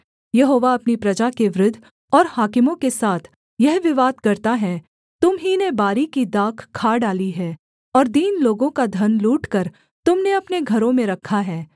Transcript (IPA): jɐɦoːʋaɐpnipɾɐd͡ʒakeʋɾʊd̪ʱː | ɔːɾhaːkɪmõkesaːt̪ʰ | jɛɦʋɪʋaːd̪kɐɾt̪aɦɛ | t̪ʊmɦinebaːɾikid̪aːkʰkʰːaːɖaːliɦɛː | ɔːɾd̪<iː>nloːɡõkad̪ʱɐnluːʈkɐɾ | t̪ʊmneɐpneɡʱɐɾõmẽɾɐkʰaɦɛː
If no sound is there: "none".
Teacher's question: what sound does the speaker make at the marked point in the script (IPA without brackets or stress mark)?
iː